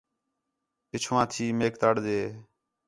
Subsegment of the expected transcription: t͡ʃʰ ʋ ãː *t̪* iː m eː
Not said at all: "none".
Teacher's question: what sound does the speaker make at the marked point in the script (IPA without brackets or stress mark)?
t̪ʰ